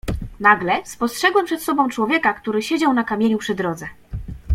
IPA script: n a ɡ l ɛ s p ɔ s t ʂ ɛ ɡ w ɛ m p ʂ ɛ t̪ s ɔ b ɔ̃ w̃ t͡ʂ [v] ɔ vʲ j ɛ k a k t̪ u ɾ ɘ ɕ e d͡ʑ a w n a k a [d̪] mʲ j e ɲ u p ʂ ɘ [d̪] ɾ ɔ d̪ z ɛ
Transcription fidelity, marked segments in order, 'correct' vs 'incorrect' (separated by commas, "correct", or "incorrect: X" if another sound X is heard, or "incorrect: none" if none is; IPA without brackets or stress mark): incorrect: w, incorrect: none, correct